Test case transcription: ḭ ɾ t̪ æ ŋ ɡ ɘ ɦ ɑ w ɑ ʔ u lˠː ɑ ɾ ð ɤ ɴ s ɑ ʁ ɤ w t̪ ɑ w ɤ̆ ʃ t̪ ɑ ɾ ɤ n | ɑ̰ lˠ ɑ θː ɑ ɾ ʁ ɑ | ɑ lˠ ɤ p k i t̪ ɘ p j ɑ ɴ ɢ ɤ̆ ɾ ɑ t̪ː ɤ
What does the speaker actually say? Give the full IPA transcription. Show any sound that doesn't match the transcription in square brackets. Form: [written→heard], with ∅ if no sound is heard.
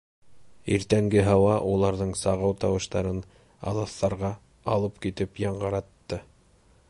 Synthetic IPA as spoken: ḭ ɾ t̪ æ ŋ ɡ ɘ ɦ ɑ w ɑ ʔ u [lˠː→lˠ] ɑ ɾ ð ɤ ɴ s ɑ ʁ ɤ w t̪ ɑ w ɤ̆ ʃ t̪ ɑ ɾ ɤ n | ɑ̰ lˠ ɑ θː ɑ ɾ ʁ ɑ | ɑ lˠ ɤ p k i t̪ ɘ p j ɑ ɴ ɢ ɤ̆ ɾ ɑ t̪ː ɤ

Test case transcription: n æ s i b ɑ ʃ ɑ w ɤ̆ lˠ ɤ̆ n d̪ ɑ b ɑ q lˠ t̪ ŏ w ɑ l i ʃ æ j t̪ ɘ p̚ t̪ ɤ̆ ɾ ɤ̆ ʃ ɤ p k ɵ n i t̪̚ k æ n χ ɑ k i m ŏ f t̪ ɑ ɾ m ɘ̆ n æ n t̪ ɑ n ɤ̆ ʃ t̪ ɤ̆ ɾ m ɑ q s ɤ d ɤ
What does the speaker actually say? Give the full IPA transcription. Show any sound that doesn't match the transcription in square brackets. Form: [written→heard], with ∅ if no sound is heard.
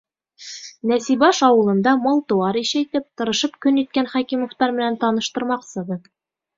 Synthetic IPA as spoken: n æ s i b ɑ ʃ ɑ w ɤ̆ lˠ ɤ̆ n d̪ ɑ [b→m] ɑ [q→∅] lˠ t̪ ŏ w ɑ [l→ɾ] i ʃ æ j t̪ ɘ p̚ t̪ ɤ̆ ɾ ɤ̆ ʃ ɤ p k ɵ n i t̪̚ k æ n χ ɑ k i m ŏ f t̪ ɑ ɾ m ɘ̆ n æ n t̪ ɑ n ɤ̆ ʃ t̪ ɤ̆ ɾ m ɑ q s ɤ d ɤ

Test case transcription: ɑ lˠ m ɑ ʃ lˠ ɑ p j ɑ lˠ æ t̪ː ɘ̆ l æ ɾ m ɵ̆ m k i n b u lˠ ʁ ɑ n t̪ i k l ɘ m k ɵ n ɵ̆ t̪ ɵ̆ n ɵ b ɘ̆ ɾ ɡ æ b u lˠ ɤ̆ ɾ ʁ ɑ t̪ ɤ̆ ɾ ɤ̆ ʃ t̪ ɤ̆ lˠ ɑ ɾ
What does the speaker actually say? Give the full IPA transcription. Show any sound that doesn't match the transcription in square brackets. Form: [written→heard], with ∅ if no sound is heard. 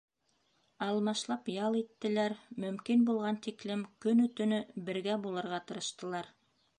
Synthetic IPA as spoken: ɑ lˠ m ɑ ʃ lˠ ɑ p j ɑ lˠ [æ→i] t̪ː ɘ̆ l æ ɾ m ɵ̆ m k i n b u lˠ ʁ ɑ n t̪ i k l ɘ m k ɵ n ɵ̆ t̪ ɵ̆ n ɵ b ɘ̆ ɾ ɡ æ b u lˠ ɤ̆ ɾ ʁ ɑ t̪ ɤ̆ ɾ ɤ̆ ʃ t̪ ɤ̆ lˠ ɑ ɾ

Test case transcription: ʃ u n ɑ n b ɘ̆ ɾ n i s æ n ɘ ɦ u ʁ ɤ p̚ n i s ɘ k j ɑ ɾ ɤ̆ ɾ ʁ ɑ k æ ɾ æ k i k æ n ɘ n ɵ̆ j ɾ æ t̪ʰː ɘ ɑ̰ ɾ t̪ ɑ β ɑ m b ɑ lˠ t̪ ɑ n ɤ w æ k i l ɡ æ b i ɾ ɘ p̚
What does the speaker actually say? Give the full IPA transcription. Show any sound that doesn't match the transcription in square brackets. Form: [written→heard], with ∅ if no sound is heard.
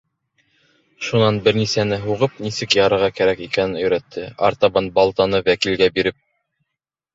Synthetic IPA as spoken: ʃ u n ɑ n b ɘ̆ ɾ n i s æ n ɘ ɦ u ʁ ɤ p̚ n i s ɘ k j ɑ ɾ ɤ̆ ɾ ʁ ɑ k æ ɾ æ k i k æ n ɘ n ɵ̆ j ɾ æ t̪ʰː ɘ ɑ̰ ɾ t̪ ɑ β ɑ [m→n] b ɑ lˠ t̪ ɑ n ɤ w æ k i l ɡ æ b i ɾ ɘ p̚

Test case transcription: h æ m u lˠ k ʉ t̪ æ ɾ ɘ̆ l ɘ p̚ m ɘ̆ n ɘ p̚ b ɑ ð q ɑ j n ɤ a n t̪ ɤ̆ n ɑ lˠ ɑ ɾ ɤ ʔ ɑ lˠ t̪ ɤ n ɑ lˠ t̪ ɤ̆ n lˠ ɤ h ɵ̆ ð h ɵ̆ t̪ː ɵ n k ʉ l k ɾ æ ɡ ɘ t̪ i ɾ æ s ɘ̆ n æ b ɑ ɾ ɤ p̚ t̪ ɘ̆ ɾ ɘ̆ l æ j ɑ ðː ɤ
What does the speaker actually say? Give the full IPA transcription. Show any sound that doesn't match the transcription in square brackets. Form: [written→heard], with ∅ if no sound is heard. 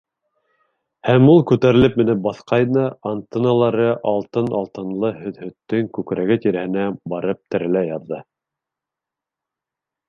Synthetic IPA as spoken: h æ m u lˠ k ʉ t̪ æ ɾ ɘ̆ l ɘ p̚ m ɘ̆ n ɘ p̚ b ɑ [ð→θ] q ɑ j n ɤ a n t̪ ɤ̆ n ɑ lˠ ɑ ɾ ɤ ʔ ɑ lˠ t̪ ɤ n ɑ lˠ t̪ ɤ̆ n lˠ ɤ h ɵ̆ ð h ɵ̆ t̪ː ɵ [n→ŋ] k ʉ [l→∅] k ɾ æ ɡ ɘ t̪ i ɾ æ [s→h] ɘ̆ n æ b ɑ ɾ ɤ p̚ t̪ ɘ̆ ɾ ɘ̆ l æ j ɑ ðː ɤ

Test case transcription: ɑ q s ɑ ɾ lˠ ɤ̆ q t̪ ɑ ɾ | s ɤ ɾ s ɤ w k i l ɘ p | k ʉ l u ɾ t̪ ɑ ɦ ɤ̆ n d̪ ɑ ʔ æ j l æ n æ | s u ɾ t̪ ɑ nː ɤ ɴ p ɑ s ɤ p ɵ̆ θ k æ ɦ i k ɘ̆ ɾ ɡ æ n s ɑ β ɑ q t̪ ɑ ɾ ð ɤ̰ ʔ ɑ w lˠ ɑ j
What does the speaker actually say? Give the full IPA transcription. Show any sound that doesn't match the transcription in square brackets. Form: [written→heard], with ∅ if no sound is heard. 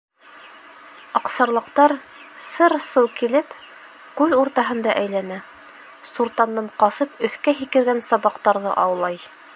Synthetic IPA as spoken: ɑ q s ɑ ɾ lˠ ɤ̆ q t̪ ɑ ɾ | s ɤ ɾ s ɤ w k i l ɘ p | k ʉ l u ɾ t̪ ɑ ɦ ɤ̆ n d̪ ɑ ʔ æ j l æ n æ | s u ɾ t̪ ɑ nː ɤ ɴ [p→q] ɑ s ɤ p ɵ̆ θ k æ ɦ i k ɘ̆ ɾ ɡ æ n s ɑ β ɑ q t̪ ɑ ɾ ð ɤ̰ ʔ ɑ w lˠ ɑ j

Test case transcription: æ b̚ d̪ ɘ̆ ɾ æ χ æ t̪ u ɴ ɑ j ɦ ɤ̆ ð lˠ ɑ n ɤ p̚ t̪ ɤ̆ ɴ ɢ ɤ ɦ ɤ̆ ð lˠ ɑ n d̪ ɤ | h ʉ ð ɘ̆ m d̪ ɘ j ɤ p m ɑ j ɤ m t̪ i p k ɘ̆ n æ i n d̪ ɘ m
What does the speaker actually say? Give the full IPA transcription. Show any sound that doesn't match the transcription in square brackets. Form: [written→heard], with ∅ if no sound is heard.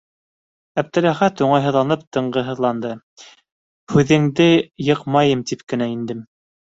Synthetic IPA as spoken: æ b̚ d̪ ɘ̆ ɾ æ χ æ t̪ u ɴ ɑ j ɦ ɤ̆ ð lˠ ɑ n ɤ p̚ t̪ ɤ̆ ɴ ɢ ɤ ɦ ɤ̆ ð lˠ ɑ n d̪ ɤ | h ʉ ð ɘ̆ [m→ŋ] d̪ ɘ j ɤ [p→q] m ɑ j ɤ m t̪ i p k ɘ̆ n æ i n d̪ ɘ m

